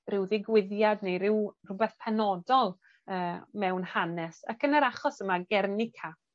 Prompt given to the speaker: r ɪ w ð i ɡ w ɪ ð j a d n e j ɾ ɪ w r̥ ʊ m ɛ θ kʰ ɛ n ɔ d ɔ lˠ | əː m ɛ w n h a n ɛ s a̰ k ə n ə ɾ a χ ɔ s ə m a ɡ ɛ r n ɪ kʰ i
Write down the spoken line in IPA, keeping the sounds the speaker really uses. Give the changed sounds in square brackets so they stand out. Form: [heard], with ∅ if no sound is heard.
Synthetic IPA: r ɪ w ð [ɪ] ɡ w ɪ ð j a d n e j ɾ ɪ w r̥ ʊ [b] ɛ θ [pʰ] ɛ n ɔ d ɔ lˠ | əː m ɛ w n h a n ɛ s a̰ k ə n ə ɾ a χ ɔ s ə m a ɡ ɛ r n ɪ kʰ [a]